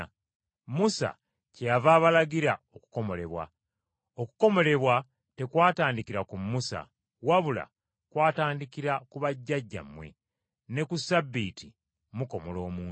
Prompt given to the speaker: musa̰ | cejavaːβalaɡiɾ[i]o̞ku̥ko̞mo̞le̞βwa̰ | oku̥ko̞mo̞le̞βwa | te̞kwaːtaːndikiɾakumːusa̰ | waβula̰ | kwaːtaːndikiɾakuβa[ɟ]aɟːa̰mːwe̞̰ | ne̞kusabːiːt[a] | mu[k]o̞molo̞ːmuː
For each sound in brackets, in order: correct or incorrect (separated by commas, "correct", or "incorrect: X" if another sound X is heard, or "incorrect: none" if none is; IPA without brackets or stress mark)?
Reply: incorrect: a, incorrect: ɟː, incorrect: i, correct